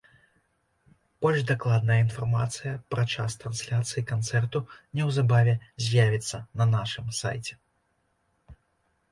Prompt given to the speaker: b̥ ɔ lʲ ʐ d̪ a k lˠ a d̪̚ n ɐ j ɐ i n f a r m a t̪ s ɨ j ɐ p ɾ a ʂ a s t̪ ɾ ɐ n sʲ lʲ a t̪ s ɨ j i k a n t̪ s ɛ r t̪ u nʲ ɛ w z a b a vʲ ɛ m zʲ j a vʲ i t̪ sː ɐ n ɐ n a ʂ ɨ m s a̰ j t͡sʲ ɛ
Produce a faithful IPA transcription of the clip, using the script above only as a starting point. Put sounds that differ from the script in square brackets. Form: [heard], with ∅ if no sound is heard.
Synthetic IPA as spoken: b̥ ɔ lʲ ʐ d̪ a k lˠ a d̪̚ n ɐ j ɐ i n f a r m a t̪ s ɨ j ɐ p ɾ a [t͡ʂ] a s t̪ ɾ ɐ n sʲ lʲ a t̪ s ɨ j i k a n t̪ s ɛ r t̪ u nʲ ɛ w z a b a vʲ ɛ [∅] zʲ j a vʲ i t̪ sː ɐ n ɐ n a ʂ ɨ m s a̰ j t͡sʲ ɛ